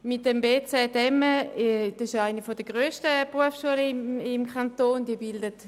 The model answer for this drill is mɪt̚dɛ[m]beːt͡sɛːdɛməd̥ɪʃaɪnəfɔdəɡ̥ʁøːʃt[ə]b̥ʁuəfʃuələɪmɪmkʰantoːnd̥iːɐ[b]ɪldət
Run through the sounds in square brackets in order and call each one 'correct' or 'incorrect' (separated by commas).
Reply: correct, correct, correct